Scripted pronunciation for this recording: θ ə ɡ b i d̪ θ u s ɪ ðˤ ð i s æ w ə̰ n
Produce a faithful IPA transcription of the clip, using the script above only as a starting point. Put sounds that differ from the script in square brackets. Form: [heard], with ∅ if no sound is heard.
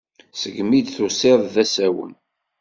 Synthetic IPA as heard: [s] ə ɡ [m] i d̪ θ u s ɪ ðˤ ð [æ] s æ w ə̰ n